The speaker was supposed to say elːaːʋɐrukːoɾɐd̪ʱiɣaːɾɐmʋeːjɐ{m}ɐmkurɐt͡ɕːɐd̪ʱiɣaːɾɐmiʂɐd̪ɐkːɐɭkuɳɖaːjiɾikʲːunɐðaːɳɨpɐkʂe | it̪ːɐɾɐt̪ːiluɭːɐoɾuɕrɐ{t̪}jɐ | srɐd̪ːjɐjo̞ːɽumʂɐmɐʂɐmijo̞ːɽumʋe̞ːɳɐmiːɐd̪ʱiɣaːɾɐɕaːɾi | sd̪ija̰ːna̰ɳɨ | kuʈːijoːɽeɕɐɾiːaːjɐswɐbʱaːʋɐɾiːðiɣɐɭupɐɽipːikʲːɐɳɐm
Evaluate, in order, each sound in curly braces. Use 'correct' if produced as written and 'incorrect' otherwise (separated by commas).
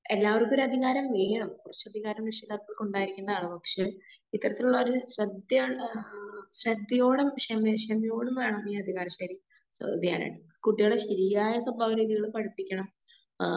incorrect, incorrect